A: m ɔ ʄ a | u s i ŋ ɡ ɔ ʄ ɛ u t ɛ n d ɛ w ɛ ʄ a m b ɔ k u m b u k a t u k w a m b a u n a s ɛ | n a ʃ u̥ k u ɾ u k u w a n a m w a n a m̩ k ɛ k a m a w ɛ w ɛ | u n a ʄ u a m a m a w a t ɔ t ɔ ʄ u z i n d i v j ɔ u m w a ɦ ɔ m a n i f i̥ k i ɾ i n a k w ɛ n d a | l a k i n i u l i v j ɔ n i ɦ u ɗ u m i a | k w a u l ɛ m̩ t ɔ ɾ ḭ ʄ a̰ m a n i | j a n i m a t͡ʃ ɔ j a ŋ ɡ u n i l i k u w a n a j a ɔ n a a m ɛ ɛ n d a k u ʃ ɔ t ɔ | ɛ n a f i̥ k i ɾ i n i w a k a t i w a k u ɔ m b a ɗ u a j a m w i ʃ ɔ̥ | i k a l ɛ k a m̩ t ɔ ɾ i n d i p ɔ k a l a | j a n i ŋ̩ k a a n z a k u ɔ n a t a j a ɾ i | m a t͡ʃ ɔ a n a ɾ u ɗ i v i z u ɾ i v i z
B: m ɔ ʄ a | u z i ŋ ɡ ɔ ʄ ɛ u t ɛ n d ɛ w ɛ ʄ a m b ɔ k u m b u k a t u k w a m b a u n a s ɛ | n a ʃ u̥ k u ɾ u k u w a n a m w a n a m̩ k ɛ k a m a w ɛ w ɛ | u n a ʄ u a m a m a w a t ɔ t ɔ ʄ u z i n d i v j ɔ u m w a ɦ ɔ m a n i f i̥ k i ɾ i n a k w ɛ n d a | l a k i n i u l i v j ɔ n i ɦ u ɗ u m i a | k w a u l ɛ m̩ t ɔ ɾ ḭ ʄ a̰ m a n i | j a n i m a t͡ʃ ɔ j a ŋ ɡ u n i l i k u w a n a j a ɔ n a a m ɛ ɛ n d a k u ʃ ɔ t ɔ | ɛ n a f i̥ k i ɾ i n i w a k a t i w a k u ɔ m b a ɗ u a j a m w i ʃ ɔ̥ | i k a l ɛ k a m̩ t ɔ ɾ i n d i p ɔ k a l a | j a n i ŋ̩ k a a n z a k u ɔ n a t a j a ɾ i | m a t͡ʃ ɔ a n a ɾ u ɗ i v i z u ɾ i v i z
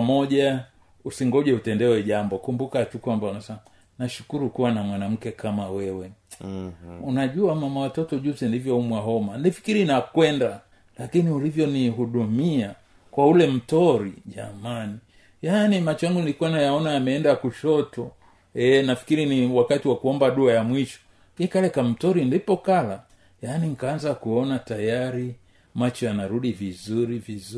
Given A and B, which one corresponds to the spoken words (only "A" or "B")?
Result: A